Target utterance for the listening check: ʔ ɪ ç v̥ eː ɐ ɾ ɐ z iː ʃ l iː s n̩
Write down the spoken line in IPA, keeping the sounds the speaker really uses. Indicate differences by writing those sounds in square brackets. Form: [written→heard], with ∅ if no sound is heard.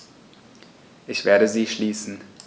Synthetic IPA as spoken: ʔ ɪ ç v̥ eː ɐ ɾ [ɐ→ə] z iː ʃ l iː s n̩